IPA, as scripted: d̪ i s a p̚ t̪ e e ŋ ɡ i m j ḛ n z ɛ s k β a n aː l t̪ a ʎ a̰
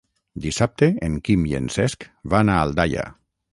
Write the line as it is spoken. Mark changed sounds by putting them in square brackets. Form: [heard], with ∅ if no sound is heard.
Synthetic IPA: d̪ i s a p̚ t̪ e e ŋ [k] i m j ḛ n [s] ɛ s k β a n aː l [d̪] a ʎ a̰